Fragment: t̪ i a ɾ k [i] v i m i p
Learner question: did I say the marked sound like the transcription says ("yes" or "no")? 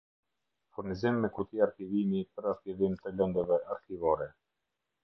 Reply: yes